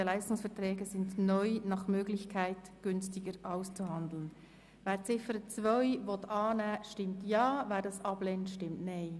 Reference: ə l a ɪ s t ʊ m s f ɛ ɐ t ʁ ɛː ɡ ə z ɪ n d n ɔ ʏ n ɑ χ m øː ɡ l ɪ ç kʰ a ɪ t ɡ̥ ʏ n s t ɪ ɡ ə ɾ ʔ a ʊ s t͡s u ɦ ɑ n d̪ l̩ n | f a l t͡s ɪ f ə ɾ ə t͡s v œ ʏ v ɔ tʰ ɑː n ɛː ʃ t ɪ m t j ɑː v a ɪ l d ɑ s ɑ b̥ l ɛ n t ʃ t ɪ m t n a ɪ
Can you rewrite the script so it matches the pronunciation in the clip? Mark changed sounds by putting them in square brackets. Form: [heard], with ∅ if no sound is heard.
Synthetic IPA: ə l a ɪ s t ʊ [ŋ] s f ɛ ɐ t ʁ ɛː ɡ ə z ɪ n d n ɔ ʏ n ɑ χ m øː ɡ l ɪ ç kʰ a ɪ t ɡ̥ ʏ n s t ɪ ɡ ə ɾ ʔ a ʊ s t͡s u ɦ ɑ n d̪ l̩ n | [v] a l t͡s ɪ f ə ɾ ə t͡s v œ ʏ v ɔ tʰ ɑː n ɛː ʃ t ɪ m t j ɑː v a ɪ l d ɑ s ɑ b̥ l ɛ n t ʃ t ɪ m t n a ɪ